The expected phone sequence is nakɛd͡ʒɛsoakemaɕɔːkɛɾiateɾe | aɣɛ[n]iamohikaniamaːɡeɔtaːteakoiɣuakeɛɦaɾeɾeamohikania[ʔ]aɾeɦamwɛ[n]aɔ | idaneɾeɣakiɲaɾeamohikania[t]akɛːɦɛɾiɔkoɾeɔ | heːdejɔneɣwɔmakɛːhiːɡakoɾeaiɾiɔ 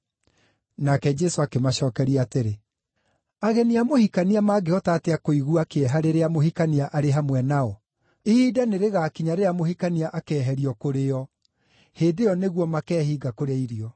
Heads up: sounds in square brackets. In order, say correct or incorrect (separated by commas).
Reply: correct, correct, correct, incorrect